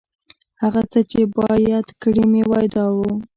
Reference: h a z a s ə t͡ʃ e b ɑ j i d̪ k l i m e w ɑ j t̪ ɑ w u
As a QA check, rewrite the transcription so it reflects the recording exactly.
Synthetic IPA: h a ɣ a t͡s ə t͡ʃ e b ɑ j a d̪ k ɽ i m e w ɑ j d̪ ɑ w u